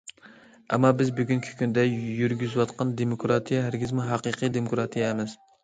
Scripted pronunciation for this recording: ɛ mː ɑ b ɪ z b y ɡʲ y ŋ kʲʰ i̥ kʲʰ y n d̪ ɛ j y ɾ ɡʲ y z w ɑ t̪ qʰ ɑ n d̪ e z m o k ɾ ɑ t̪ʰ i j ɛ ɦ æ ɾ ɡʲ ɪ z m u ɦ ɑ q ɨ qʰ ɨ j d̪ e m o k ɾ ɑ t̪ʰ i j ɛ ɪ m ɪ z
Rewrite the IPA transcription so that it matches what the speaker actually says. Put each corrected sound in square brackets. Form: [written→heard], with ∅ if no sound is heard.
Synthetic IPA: ɛ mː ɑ b ɪ z b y ɡʲ y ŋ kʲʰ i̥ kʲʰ y n d̪ ɛ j y ɾ ɡʲ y z w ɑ t̪ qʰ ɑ n d̪ e [z→∅] m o k ɾ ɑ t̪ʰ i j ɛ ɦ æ ɾ ɡʲ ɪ z m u ɦ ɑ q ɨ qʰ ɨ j d̪ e m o k ɾ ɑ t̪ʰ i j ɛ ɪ m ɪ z